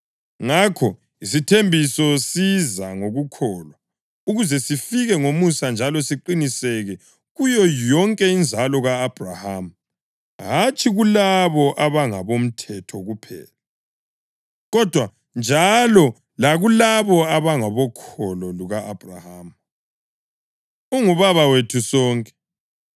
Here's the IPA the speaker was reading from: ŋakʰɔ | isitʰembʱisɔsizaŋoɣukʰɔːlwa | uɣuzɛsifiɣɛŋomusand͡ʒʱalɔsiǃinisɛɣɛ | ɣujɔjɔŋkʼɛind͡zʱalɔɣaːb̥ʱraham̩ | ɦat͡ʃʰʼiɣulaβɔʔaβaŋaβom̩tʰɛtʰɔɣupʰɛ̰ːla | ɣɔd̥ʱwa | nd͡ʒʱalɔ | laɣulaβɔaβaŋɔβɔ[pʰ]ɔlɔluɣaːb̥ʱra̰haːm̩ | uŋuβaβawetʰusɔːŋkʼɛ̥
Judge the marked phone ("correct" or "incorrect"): incorrect